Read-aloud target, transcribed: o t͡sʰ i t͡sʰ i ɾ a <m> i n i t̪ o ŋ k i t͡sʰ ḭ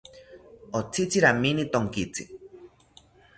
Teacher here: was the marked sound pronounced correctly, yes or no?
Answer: yes